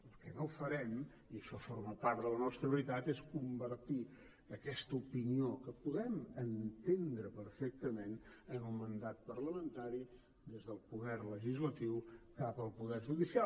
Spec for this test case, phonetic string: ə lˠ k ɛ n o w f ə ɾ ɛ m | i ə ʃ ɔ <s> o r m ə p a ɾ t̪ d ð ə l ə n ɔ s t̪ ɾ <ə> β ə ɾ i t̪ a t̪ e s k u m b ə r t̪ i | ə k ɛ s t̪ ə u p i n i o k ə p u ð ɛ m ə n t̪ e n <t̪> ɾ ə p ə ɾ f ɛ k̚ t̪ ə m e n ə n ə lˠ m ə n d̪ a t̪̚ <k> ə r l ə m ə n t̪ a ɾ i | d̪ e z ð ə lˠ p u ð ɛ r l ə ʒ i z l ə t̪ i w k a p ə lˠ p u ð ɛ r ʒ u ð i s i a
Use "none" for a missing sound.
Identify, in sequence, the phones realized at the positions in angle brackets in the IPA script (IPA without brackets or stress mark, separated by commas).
f, ə, d̪, p